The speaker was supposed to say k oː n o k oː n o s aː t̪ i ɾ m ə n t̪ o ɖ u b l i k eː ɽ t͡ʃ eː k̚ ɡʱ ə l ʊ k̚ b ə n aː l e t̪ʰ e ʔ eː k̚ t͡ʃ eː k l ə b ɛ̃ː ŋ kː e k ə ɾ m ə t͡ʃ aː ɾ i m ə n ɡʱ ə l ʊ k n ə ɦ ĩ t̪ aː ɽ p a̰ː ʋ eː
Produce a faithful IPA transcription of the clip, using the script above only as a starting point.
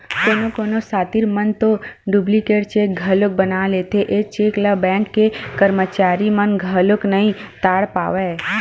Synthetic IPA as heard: k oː n o k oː n o s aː t̪ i ɾ m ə n t̪ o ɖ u b l i k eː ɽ t͡ʃ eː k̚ ɡʱ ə l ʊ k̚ b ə n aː l e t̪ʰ e ʔ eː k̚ t͡ʃ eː k l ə b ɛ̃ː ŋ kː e k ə ɾ m ə t͡ʃ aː ɾ i m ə n ɡʱ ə l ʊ k n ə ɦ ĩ t̪ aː ɽ p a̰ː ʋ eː